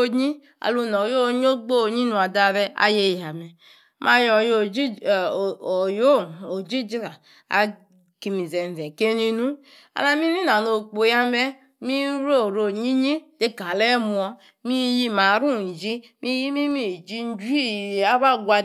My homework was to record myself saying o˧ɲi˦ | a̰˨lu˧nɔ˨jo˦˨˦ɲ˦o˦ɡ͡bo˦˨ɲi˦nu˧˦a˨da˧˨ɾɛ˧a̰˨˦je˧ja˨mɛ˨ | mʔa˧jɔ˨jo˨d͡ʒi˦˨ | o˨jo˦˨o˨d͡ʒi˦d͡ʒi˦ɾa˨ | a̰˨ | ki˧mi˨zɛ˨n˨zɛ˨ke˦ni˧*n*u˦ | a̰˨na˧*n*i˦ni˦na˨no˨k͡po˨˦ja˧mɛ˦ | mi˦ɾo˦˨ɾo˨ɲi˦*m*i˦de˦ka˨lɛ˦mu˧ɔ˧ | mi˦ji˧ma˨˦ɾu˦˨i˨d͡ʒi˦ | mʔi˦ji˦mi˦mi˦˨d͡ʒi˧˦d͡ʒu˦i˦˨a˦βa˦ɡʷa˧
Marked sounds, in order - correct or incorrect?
correct, incorrect: m, incorrect: ɲ

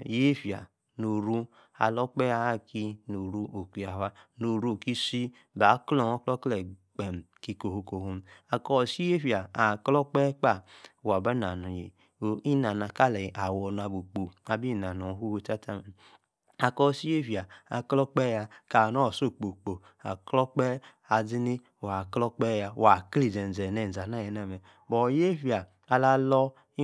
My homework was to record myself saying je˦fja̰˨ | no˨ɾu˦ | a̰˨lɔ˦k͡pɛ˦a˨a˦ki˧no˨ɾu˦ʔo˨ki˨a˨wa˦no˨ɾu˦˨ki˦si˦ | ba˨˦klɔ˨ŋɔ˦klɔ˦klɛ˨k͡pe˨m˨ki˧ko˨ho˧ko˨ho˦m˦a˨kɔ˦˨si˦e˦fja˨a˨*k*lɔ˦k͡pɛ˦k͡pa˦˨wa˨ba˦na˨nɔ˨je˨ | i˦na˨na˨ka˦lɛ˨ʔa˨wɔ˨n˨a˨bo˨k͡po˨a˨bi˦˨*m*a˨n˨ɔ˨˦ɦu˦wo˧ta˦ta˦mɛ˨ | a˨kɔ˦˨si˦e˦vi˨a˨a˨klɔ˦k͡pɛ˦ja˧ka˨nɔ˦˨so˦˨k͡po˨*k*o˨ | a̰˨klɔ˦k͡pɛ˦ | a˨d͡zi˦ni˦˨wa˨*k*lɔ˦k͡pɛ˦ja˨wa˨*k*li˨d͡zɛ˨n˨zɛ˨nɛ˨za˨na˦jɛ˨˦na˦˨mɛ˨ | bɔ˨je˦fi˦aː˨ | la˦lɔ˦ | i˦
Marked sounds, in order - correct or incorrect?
correct, incorrect: n, incorrect: k͡p, correct, correct

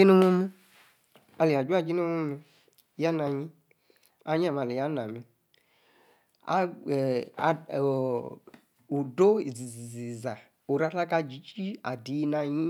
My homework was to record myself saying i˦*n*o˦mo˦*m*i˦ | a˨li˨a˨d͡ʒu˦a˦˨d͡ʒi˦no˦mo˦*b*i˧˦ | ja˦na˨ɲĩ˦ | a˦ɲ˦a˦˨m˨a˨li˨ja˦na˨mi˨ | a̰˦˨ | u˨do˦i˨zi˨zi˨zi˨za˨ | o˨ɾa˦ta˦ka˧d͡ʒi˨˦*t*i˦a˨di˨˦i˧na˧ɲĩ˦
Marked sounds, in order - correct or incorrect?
correct, correct, incorrect: m, incorrect: t͡ʃ

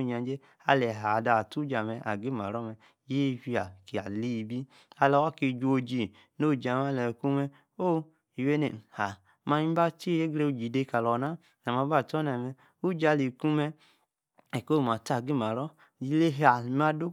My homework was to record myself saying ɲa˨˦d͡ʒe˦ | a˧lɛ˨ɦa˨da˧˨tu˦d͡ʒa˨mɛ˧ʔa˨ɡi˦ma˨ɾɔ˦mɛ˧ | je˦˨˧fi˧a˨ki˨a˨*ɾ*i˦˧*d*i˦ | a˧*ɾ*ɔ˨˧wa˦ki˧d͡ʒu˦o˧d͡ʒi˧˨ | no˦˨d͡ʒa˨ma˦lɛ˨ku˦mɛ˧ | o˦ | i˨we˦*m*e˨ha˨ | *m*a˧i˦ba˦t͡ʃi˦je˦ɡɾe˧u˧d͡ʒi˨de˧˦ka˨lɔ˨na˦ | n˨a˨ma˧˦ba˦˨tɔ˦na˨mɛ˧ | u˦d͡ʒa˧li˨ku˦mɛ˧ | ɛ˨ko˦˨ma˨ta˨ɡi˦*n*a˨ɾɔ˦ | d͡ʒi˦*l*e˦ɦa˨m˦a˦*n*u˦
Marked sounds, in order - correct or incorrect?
incorrect: l, incorrect: b, incorrect: l, incorrect: n, correct, incorrect: m, correct, incorrect: d

